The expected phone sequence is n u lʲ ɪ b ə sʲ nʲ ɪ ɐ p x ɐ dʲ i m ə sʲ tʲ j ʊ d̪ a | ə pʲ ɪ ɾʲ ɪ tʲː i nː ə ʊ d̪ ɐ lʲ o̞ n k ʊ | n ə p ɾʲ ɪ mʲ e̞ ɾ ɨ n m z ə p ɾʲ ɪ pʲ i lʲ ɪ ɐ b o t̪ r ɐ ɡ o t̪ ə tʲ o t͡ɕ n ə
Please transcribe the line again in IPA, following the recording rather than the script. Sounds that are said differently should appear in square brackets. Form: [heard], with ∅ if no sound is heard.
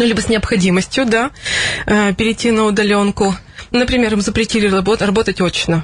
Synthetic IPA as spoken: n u lʲ [i] b ə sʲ nʲ ɪ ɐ p x ɐ dʲ i m ə sʲ tʲ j ʊ d̪ a | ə pʲ ɪ ɾʲ ɪ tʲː i [n] ə ʊ d̪ ɐ lʲ o̞ n k ʊ | n ə p ɾʲ ɪ mʲ e̞ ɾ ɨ [∅] m z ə p ɾʲ ɪ [tʲ] i lʲ ɪ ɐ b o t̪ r ɐ [b] o t̪ ə tʲ o t͡ɕ n ə